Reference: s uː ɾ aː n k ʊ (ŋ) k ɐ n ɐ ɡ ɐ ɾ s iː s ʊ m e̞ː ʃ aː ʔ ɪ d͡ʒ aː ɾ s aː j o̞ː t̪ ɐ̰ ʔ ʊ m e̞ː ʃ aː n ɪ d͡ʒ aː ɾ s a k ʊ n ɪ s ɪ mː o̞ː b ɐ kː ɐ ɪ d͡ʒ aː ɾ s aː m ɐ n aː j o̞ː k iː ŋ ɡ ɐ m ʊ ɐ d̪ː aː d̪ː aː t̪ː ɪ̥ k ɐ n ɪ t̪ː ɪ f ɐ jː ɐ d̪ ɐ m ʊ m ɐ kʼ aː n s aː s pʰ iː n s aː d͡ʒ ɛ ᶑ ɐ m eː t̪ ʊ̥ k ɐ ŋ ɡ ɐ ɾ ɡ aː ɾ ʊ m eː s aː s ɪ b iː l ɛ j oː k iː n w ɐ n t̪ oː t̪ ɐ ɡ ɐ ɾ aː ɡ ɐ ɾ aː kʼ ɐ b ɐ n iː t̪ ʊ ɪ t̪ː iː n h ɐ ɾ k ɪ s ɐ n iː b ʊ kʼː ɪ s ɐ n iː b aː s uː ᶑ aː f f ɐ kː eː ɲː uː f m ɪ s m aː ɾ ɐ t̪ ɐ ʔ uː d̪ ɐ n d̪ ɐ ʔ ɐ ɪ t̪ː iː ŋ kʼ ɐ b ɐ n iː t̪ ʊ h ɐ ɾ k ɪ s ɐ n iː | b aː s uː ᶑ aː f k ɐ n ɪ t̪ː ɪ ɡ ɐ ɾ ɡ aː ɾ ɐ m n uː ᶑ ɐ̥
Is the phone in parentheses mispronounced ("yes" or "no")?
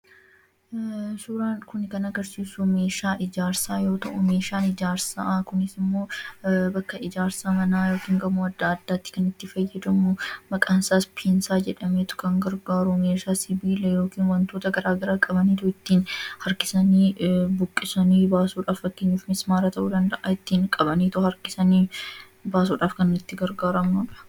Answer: yes